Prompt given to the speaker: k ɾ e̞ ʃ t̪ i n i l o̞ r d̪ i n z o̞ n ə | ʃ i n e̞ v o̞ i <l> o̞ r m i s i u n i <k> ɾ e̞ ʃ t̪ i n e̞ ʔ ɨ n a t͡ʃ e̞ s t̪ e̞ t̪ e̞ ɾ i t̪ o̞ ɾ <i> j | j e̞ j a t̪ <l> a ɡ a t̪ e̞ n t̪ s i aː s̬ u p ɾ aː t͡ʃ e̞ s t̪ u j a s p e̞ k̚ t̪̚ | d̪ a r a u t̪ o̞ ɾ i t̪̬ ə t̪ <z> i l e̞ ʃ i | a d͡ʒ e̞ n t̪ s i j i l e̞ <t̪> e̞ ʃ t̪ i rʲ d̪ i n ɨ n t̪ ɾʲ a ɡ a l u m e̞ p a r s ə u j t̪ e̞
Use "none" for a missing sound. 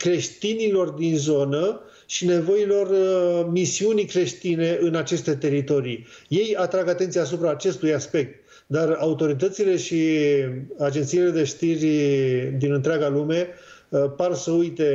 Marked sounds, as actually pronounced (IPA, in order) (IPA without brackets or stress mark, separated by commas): l, k, i, ɾ, s, d̪